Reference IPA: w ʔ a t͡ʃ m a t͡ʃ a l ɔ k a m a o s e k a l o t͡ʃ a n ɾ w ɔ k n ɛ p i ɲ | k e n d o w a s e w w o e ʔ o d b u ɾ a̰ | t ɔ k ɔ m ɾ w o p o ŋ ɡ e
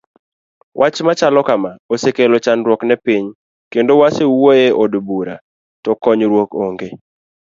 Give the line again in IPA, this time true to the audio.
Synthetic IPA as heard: w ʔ a t͡ʃ m a t͡ʃ a l ɔ k a m a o s e k e l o t͡ʃ a n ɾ w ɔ k n ɛ p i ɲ | k e n d o w a s e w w o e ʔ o d b u ɾ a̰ | t ɔ k ɔ ɲ ɾ w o k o ŋ ɡ e